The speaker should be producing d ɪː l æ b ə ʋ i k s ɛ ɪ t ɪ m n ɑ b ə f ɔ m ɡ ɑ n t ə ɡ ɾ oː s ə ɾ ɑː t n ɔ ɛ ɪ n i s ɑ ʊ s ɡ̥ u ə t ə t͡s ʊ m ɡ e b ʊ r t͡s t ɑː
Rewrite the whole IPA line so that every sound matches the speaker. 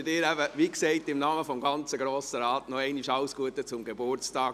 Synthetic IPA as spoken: d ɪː ɾ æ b ə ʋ i k s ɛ ɪ t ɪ m n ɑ m ə f ɔ m ɡ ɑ n t͡s ə ɡ ɾ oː s ə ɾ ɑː t n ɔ ɛ ɪ n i ʃ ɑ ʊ s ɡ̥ u ə t ə t͡s ʊ m ɡ e b ʊ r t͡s t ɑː